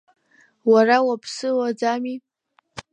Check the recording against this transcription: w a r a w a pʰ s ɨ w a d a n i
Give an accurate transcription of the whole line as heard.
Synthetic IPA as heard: w a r a w a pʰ s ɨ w a d͡z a m i